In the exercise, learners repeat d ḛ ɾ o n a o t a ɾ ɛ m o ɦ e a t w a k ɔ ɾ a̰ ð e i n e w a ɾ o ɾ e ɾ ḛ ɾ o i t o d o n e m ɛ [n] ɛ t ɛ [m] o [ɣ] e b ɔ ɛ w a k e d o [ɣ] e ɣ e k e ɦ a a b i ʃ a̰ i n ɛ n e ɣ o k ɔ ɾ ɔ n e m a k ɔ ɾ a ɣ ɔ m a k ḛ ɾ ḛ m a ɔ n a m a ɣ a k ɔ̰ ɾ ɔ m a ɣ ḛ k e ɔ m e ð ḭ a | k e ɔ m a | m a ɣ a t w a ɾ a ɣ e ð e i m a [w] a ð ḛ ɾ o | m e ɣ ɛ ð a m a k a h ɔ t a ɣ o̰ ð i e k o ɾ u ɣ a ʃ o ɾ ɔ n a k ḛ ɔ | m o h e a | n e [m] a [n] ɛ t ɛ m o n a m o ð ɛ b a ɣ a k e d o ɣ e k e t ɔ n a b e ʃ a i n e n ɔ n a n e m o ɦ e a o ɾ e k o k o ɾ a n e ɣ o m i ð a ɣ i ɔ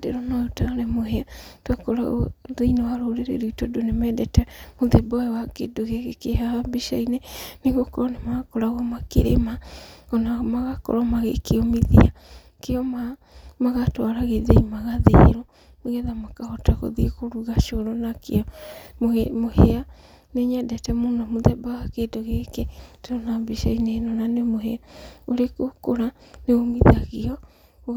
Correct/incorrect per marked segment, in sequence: incorrect: d, correct, incorrect: ð, correct, incorrect: ɣ, incorrect: ɲ, incorrect: d

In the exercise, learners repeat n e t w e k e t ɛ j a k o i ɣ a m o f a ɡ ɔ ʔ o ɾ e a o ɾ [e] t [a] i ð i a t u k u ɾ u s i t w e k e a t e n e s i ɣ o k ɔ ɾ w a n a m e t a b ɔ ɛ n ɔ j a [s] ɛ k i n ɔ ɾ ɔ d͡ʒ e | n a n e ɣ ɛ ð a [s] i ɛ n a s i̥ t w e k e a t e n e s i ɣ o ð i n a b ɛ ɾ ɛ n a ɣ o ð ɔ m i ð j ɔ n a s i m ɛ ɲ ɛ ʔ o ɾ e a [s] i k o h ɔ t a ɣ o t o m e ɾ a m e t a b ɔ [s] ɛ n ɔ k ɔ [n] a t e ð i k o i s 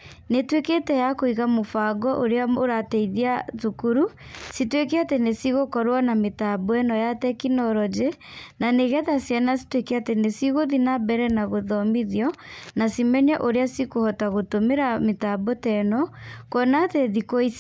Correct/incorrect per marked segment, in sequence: incorrect: a, incorrect: ɛ, incorrect: t, correct, correct, incorrect: t, correct

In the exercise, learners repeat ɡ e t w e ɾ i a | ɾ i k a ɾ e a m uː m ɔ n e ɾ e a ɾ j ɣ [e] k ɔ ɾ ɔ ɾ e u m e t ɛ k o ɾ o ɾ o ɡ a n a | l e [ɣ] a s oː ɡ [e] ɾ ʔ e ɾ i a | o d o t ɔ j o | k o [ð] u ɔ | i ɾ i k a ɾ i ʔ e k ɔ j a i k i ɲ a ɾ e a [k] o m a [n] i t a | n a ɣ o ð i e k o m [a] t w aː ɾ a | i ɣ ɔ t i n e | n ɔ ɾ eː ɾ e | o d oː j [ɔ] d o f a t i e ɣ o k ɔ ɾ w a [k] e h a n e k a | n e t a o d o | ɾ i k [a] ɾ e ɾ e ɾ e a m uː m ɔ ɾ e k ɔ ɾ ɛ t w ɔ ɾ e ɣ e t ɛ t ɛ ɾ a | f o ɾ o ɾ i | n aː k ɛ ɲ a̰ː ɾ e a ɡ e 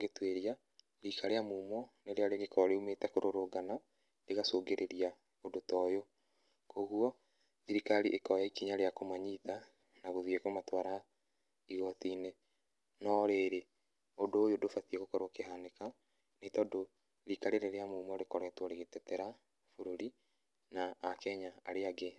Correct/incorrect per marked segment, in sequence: correct, correct, correct, incorrect: ɣ, correct, incorrect: ɲ, correct, incorrect: o, correct, correct

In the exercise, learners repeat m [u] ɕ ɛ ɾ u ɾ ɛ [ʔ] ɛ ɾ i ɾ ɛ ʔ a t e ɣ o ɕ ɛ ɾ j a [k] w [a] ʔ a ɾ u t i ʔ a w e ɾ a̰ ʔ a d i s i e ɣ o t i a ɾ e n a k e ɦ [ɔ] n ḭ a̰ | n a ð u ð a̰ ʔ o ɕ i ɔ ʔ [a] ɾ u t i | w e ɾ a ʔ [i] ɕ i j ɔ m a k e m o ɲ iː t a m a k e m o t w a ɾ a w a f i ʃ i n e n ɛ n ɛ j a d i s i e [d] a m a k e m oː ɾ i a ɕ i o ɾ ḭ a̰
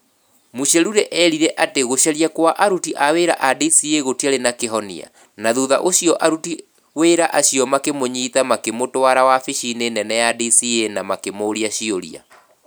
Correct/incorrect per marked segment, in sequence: correct, correct, correct, correct, correct, correct, incorrect: a, incorrect: n

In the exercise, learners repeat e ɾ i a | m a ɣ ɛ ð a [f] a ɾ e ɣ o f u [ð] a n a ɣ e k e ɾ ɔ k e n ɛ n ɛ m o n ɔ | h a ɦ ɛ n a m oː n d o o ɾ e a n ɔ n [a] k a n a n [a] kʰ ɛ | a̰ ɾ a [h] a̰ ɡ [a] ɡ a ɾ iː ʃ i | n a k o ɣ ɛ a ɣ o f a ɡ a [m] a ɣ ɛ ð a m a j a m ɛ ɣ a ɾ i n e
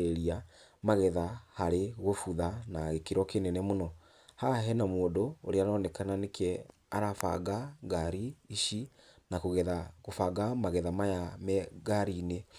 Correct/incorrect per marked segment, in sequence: incorrect: h, correct, incorrect: ɛ, incorrect: e, incorrect: f, correct, correct

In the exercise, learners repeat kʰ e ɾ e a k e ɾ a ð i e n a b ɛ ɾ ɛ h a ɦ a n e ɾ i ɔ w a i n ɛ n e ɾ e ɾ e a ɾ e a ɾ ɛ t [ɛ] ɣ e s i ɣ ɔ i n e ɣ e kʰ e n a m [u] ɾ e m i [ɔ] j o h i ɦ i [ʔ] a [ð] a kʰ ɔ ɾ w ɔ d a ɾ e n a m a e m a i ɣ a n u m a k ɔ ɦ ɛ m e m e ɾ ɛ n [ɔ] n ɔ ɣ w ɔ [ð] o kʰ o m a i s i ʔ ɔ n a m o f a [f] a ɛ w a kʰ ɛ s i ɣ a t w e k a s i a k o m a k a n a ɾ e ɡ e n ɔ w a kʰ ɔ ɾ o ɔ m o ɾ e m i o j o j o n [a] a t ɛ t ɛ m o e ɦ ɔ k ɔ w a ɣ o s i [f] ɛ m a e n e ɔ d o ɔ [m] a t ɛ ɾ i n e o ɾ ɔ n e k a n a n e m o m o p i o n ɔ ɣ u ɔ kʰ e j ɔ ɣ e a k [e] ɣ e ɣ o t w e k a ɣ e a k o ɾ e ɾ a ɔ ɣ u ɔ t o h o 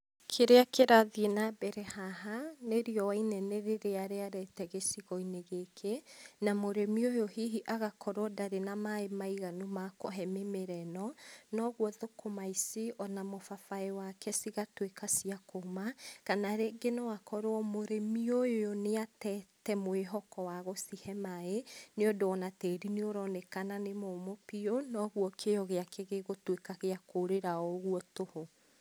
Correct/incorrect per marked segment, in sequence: correct, incorrect: o, incorrect: o, correct, incorrect: ɣ, correct, correct, correct, incorrect: e, incorrect: h, incorrect: n, correct

